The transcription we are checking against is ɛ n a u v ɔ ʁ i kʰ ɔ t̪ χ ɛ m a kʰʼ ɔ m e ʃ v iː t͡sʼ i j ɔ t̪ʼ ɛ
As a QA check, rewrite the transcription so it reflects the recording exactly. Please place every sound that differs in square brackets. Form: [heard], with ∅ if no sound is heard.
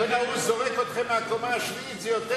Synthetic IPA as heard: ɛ n a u [z] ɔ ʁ [ɛ] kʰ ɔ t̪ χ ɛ m a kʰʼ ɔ m [a] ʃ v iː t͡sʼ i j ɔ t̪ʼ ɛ